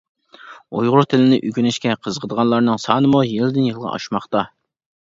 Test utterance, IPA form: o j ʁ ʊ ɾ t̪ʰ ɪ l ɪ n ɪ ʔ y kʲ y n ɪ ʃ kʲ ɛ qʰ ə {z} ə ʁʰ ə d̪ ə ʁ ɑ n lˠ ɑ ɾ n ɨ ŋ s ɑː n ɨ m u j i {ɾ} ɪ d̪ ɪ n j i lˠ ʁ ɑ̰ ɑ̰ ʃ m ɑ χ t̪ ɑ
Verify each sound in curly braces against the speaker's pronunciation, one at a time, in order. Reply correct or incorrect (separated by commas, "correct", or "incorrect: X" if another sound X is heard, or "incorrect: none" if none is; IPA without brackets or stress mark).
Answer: correct, incorrect: l